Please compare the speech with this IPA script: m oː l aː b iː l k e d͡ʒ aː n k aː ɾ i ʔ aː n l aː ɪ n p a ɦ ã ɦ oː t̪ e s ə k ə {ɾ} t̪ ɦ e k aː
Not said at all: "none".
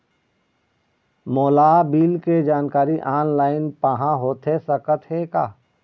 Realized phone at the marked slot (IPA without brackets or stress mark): none